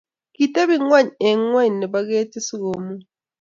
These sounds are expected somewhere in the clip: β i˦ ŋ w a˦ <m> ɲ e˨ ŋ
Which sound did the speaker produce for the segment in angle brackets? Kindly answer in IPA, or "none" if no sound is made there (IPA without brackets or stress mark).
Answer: none